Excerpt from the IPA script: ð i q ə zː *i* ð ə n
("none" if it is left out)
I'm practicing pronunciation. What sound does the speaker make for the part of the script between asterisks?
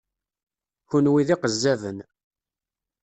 æ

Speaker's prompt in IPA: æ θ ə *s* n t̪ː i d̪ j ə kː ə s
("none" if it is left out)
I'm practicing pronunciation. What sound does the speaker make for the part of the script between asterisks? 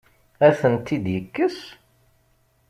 none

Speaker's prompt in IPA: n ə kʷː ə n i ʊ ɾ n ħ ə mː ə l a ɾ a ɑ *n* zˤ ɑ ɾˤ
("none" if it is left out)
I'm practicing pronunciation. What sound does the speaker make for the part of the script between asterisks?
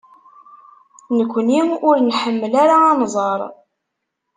n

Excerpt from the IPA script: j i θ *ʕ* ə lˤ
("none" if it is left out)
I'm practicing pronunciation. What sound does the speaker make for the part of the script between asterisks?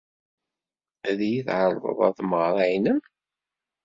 ʕ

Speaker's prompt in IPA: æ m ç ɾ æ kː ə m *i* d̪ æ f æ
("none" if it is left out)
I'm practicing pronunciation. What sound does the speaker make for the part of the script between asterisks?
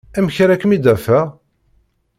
i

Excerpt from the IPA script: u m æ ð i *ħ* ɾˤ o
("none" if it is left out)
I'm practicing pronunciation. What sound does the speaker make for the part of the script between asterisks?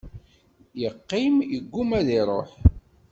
none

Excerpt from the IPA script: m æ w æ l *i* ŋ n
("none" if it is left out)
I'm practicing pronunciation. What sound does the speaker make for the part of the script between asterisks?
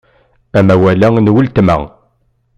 æ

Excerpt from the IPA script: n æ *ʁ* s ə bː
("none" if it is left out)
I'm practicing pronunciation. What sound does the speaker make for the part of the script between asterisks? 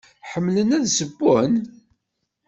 ð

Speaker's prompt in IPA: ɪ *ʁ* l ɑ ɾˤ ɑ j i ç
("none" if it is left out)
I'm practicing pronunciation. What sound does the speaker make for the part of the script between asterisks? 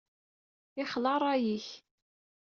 χ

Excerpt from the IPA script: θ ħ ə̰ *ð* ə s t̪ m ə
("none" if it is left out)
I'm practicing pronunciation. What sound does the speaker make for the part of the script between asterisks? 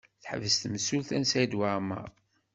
v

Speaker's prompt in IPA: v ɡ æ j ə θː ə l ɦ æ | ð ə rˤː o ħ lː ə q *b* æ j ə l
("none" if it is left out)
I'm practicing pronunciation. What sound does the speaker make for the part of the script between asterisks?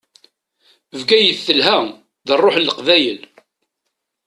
v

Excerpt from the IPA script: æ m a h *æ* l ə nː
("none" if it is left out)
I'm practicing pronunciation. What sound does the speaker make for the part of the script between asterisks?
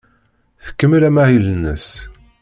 i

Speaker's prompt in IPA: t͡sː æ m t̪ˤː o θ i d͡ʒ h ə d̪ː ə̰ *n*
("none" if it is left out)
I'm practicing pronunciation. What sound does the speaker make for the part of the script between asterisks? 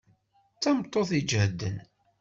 n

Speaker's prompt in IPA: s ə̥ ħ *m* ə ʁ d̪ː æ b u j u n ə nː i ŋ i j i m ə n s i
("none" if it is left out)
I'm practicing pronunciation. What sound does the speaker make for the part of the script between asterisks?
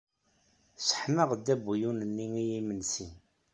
m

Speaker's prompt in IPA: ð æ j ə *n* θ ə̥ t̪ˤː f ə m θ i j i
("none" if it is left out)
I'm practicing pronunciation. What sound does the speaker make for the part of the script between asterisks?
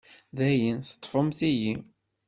n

